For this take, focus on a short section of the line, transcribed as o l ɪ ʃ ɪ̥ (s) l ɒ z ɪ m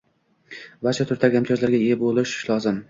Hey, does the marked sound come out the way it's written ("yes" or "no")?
no